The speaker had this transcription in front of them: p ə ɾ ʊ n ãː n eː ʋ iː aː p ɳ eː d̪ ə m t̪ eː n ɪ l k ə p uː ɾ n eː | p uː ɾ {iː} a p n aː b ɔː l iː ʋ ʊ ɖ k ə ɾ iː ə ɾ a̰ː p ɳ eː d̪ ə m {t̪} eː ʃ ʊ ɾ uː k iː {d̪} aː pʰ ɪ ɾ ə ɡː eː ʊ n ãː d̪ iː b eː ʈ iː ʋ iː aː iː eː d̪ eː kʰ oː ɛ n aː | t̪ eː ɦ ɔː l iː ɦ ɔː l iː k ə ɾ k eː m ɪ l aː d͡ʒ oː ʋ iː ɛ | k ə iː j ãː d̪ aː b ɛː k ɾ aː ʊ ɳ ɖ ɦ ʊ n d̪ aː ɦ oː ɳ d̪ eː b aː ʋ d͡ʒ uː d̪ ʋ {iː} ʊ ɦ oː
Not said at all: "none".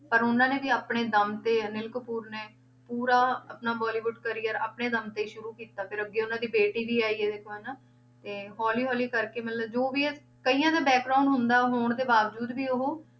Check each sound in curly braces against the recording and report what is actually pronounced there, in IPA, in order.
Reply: aː, t̪, t̪, iː

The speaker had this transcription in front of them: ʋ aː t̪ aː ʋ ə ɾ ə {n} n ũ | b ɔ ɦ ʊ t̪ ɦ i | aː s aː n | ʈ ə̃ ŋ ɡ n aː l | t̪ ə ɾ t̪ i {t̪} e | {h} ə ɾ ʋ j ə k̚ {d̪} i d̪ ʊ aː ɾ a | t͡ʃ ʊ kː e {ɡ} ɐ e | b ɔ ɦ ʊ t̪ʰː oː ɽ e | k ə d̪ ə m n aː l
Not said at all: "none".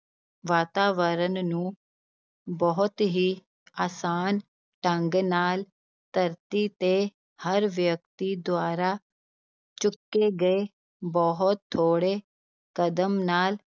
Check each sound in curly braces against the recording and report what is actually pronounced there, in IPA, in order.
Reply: n, t̪, h, t̪, ɡ

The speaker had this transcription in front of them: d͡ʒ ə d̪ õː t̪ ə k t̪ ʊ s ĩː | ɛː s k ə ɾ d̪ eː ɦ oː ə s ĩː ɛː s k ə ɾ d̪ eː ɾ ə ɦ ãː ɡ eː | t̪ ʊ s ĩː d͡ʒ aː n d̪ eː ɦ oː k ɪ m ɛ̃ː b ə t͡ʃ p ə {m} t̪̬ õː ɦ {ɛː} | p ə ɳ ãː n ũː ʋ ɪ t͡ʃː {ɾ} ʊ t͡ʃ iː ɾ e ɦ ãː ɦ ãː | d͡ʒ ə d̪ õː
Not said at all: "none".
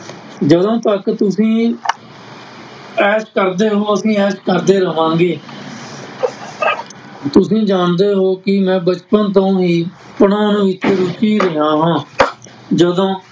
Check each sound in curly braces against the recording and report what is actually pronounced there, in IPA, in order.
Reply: n, iː, ɾ

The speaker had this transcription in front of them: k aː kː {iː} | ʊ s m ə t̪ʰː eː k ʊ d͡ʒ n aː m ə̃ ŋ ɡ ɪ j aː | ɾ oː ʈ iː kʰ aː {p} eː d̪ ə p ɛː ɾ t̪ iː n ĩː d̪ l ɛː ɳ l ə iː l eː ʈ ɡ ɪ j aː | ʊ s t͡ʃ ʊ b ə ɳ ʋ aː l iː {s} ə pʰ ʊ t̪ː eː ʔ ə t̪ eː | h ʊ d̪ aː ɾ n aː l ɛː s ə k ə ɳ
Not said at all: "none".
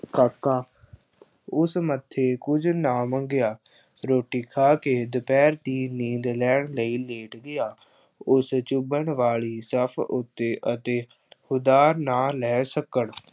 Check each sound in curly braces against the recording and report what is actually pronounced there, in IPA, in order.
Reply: aː, k, s

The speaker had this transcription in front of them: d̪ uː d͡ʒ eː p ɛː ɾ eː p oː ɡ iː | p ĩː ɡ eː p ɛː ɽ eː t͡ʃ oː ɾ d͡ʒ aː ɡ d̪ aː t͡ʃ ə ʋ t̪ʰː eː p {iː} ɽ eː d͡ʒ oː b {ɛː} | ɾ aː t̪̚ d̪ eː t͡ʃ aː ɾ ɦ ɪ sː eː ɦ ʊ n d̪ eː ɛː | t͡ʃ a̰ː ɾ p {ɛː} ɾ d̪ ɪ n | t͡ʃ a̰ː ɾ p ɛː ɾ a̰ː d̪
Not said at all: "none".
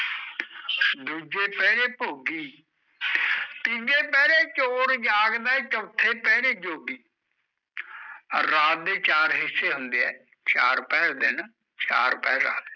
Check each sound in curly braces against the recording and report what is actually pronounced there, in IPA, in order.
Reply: ɛː, iː, ɛː

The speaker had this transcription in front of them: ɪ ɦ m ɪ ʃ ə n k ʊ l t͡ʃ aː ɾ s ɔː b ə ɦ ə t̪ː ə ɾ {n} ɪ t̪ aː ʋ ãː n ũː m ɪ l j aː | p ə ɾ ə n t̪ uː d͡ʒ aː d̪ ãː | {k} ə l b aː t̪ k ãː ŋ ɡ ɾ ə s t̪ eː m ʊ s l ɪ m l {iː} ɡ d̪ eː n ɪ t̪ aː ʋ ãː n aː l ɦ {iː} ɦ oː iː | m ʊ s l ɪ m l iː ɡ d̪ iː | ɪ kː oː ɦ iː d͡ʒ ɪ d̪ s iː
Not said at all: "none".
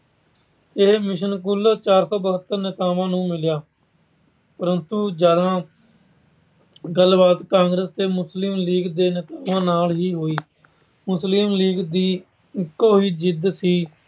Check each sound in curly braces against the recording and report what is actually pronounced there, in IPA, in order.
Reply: n, ɡ, iː, iː

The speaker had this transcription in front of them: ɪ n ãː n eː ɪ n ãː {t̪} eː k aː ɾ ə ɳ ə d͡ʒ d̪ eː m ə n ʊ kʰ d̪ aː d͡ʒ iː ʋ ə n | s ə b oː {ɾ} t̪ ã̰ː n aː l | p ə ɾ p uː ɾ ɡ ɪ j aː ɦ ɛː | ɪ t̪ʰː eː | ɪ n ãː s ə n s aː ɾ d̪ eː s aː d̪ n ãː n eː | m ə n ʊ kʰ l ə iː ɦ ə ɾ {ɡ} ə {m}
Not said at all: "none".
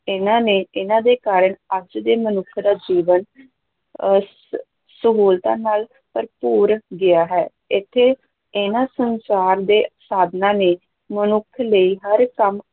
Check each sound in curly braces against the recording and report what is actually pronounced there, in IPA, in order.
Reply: d̪, l, k, m

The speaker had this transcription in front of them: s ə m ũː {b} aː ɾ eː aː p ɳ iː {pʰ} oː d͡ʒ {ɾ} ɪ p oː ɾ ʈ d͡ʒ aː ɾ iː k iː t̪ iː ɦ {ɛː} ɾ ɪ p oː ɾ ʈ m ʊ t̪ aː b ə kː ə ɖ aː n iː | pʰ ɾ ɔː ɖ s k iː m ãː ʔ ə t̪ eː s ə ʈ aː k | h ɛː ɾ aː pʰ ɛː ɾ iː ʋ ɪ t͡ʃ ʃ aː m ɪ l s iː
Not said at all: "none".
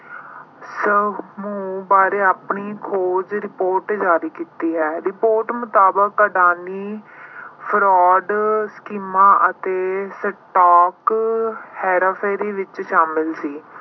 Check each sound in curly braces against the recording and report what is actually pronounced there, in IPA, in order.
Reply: b, kʰ, ɾ, ɛː

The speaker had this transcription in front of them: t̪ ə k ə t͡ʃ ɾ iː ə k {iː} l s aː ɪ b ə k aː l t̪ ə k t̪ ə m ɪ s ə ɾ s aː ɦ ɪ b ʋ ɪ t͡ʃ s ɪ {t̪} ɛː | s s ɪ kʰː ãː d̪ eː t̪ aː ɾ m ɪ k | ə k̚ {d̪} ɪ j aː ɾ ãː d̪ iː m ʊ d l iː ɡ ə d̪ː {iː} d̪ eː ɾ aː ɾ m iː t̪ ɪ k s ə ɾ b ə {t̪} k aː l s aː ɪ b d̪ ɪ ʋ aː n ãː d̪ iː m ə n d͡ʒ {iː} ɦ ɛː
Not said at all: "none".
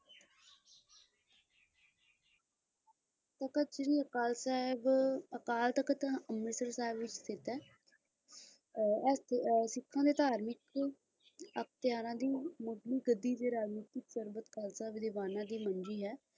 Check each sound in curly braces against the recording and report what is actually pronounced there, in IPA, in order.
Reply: aː, t̪, t̪, iː, t̪, iː

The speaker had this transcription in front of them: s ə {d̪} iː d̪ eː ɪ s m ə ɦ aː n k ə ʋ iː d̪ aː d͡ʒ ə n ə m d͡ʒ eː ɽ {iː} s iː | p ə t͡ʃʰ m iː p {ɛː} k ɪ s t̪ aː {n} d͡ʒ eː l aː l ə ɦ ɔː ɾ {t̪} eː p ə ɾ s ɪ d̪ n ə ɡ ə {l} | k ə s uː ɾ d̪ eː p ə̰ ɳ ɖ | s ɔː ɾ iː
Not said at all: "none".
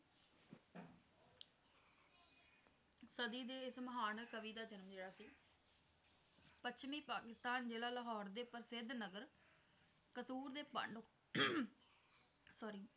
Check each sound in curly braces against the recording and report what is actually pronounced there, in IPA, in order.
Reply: d̪, aː, aː, n, d̪, ɾ

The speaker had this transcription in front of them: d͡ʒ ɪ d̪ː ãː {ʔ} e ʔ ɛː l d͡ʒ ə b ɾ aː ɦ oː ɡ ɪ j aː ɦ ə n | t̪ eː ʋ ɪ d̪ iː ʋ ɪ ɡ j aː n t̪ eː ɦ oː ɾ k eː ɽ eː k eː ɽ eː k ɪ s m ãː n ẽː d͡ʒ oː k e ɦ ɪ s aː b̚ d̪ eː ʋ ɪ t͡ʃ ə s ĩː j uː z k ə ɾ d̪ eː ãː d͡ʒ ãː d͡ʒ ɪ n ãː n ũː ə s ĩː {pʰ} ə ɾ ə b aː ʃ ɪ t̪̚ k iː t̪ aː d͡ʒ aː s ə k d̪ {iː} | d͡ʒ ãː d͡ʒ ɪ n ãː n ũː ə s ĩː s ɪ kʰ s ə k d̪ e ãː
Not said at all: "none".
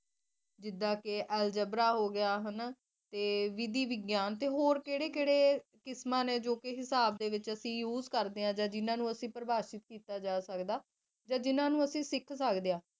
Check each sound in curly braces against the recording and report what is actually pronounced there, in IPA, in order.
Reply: k, p, aː

